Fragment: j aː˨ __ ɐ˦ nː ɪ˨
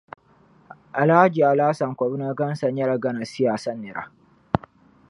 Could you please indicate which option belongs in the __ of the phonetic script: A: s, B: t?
A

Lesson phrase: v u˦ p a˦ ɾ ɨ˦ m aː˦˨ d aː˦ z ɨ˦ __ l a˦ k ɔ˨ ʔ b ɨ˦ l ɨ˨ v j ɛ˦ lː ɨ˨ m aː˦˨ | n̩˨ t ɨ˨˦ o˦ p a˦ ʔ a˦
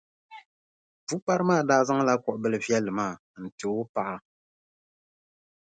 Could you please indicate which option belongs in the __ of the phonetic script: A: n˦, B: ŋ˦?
B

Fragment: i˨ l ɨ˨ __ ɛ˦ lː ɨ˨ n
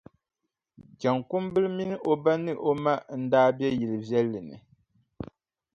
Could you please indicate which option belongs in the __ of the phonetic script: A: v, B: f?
A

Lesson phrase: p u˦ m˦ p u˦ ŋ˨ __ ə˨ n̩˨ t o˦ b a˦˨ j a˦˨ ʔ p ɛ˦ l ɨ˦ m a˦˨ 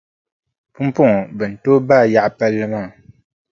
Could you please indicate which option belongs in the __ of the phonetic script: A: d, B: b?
B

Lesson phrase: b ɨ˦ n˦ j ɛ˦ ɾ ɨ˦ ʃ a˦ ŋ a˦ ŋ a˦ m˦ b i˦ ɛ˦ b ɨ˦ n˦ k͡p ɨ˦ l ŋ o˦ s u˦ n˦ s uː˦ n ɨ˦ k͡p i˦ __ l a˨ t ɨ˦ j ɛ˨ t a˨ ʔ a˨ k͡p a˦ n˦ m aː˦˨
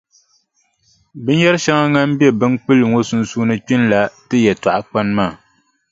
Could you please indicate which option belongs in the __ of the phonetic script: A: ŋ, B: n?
B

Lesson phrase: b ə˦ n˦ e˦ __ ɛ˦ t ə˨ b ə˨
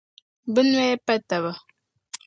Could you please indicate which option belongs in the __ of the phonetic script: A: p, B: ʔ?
A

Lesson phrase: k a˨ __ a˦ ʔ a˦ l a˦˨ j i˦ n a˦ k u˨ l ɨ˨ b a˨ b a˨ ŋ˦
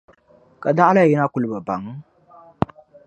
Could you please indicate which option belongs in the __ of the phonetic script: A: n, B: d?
B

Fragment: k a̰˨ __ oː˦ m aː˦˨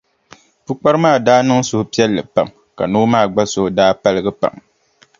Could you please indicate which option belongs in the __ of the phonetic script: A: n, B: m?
A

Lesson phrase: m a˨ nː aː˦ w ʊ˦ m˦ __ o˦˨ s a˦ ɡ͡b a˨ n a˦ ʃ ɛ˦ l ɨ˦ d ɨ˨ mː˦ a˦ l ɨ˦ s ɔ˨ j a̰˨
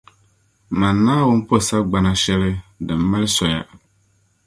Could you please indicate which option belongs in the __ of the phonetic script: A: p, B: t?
A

